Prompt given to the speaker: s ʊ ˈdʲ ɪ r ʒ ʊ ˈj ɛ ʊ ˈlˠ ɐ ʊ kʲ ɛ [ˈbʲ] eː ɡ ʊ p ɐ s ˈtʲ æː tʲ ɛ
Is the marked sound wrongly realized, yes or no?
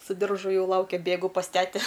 no